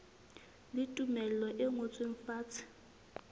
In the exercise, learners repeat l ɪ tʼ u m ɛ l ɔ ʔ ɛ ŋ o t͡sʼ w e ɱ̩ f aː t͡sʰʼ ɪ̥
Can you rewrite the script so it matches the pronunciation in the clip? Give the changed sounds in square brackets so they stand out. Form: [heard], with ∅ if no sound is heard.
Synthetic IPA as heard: l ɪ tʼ u m ɛ l ɔ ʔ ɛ ŋ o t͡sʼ w e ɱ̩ f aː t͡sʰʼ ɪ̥